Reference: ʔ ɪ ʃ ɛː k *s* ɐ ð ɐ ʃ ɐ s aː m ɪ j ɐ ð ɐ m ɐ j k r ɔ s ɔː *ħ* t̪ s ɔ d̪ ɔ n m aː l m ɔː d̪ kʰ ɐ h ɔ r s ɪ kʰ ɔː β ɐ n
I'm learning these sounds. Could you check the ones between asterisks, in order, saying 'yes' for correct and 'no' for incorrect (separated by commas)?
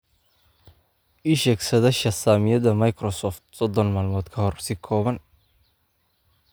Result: yes, no